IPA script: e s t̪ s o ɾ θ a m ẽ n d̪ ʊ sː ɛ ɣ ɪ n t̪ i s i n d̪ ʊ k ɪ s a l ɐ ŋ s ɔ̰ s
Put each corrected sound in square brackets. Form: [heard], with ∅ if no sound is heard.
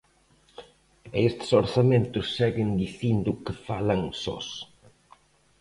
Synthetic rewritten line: e s t̪ s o ɾ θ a m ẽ n [t̪] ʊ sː ɛ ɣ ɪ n [d̪] i [θ] i n d̪ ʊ k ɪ [f] a l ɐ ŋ s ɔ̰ s

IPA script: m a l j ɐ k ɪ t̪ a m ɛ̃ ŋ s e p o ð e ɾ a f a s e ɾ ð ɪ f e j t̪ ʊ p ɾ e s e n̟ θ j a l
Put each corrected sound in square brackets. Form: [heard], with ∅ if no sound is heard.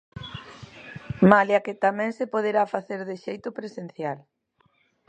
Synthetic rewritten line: m a l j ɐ k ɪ t̪ a m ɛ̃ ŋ s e p o ð e ɾ a f a [θ] e ɾ ð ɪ [ʃ] e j t̪ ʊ p ɾ e s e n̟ θ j a l

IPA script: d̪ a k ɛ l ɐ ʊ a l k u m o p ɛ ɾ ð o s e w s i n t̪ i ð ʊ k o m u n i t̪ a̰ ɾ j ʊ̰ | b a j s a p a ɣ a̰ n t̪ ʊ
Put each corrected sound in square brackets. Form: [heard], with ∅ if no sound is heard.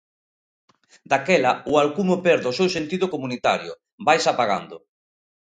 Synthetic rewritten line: d̪ a k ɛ l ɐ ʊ a l k u m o p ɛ ɾ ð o s e w s [e] n t̪ i ð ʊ k o m u n i t̪ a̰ ɾ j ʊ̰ | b a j s a p a ɣ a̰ n [d̪] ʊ

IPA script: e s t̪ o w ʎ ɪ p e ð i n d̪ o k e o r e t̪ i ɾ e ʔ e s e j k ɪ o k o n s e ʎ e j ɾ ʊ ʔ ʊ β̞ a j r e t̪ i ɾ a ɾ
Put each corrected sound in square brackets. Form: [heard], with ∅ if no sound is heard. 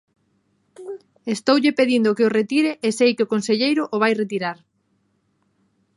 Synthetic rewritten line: e s t̪ o w ʎ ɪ p e ð i n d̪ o k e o r e t̪ i ɾ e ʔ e s e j k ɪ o k o n s e ʎ e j ɾ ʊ ʔ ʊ β̞ a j r e t̪ i ɾ a ɾ

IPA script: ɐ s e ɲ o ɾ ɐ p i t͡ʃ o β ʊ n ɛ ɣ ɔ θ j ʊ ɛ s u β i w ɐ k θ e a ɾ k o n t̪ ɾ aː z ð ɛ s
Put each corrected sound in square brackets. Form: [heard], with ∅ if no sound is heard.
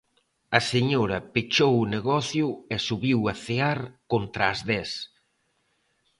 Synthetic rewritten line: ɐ s e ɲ o ɾ ɐ p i t͡ʃ o [w] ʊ n [e] ɣ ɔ θ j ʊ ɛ s u β i w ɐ [∅] θ e a ɾ k o n t̪ ɾ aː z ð ɛ s

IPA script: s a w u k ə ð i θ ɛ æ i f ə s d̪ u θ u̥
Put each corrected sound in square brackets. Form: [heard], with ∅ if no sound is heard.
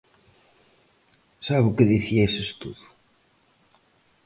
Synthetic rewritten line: s a [β] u k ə ð i θ [i] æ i [s] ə s [t̪] u [ð] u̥

